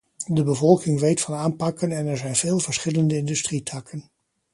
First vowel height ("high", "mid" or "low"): mid